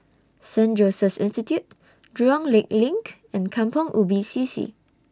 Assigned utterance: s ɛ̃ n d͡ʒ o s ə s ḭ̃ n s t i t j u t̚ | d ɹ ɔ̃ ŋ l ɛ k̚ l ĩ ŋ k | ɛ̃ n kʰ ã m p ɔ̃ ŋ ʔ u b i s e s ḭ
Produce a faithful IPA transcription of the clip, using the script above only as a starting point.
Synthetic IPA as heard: s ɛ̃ n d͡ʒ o s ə s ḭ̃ n s t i t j u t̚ | d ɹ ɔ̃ ŋ l e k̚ l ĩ ŋ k | ɛ̃ n kʰ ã m p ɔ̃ ŋ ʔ u b i s i s ḭ